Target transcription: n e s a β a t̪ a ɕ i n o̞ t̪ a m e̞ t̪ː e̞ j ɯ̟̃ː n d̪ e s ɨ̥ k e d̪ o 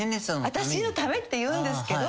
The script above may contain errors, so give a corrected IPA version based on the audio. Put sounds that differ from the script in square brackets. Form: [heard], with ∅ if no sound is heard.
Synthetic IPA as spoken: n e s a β a t̪ a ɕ i n o̞ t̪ a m e̞ t̪ː e̞ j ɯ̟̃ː n d̪ e s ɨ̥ k e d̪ o